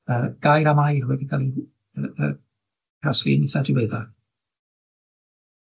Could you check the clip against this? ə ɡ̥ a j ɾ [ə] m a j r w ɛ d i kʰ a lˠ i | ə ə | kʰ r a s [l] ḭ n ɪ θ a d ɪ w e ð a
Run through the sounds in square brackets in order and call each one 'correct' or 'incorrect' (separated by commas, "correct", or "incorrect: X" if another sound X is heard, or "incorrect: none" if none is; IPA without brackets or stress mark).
incorrect: a, correct